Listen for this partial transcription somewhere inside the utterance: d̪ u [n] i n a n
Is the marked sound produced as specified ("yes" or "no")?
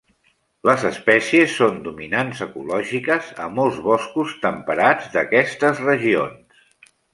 no